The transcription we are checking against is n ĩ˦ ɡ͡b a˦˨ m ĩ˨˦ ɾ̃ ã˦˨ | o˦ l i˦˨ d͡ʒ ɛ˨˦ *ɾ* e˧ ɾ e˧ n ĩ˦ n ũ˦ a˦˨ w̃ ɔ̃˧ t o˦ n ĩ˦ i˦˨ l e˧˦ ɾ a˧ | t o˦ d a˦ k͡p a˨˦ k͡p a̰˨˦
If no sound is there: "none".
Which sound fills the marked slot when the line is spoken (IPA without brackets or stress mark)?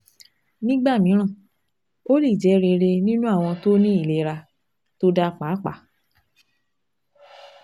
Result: ɾ